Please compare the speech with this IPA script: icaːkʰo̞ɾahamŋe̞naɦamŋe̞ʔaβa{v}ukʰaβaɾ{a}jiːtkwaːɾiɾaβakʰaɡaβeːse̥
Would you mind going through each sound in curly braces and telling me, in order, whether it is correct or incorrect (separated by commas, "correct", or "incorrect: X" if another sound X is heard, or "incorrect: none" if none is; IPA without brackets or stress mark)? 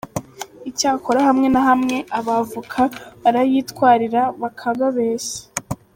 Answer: correct, correct